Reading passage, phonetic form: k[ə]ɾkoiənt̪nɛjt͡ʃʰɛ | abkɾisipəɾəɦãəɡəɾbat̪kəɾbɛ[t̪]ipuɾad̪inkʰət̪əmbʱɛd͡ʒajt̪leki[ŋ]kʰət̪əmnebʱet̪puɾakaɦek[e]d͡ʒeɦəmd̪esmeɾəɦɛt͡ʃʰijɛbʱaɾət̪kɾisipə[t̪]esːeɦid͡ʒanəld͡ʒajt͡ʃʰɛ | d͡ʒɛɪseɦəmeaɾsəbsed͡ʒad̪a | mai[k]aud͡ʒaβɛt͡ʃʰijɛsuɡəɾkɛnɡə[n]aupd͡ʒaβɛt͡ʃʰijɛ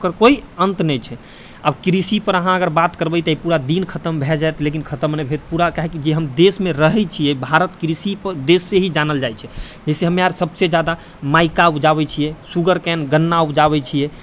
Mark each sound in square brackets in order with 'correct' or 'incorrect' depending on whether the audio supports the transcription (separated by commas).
correct, correct, incorrect, incorrect, incorrect, correct, incorrect